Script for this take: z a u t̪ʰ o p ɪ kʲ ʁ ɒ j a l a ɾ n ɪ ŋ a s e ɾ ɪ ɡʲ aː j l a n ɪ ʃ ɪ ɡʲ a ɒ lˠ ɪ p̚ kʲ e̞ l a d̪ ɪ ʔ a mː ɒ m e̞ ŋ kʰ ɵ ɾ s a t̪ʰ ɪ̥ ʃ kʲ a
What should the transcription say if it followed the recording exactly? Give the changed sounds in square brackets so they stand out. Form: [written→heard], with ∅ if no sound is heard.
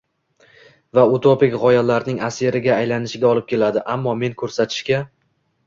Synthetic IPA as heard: [z→v] a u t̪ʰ o p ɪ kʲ ʁ ɒ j a l a ɾ n ɪ ŋ a s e ɾ ɪ ɡʲ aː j l a n ɪ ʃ ɪ ɡʲ a ɒ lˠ ɪ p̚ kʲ e̞ l a d̪ ɪ ʔ a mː ɒ m e̞ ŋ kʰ ɵ ɾ s a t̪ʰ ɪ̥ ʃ kʲ a